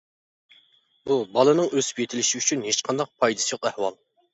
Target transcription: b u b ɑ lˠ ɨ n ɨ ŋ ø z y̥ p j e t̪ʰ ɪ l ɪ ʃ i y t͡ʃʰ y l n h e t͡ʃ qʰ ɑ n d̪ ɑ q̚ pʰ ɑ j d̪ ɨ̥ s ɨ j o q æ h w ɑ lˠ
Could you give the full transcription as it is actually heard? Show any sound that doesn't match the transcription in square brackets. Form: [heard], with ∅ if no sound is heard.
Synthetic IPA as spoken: b u b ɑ lˠ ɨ n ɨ ŋ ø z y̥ p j e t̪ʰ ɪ l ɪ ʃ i y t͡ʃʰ y [∅] n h e t͡ʃ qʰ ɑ n d̪ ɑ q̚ pʰ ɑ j d̪ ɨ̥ s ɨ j o q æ h w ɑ lˠ